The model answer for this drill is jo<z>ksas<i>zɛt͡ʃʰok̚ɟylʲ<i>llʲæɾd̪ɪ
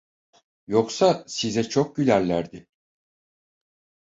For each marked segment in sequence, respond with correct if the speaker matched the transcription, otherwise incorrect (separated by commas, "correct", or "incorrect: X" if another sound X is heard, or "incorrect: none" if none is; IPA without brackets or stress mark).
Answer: incorrect: none, correct, incorrect: æ